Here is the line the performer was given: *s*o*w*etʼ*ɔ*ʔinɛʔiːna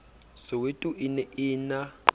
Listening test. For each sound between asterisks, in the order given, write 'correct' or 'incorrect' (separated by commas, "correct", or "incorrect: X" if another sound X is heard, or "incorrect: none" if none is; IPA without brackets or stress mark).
correct, correct, incorrect: u